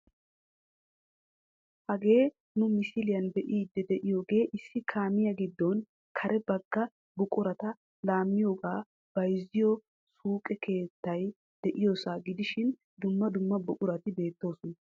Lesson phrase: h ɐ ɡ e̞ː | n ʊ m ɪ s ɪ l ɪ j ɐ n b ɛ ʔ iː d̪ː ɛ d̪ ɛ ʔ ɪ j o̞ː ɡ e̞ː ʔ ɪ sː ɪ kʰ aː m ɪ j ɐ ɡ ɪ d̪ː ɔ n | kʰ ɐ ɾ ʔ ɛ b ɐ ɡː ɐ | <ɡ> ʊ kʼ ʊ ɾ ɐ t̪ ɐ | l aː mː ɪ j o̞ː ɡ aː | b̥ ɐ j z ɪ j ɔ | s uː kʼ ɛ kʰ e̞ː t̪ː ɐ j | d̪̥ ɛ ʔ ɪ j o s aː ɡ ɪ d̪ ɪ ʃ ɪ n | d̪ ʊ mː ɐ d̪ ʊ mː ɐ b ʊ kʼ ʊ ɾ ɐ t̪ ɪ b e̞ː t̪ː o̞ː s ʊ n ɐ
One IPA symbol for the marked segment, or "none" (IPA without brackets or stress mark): b